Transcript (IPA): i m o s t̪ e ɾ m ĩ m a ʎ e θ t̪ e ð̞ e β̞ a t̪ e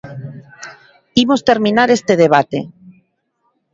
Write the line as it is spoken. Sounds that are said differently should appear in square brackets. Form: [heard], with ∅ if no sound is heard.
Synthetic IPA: i m o s t̪ e ɾ m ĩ [n] a [ɾ] e [s] t̪ e ð̞ e β̞ a t̪ e